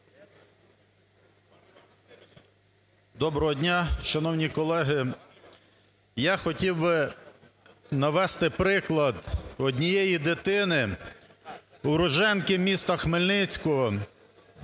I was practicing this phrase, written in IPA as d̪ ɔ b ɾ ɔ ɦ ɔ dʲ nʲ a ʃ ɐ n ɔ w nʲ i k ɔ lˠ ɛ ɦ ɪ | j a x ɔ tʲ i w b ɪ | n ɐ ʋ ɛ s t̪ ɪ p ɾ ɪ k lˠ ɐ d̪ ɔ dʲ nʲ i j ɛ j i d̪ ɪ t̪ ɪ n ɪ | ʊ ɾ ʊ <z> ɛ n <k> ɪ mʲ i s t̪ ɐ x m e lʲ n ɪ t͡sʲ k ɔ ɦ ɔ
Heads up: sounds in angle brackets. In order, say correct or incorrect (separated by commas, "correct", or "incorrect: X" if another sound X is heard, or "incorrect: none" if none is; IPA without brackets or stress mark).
incorrect: ʒ, correct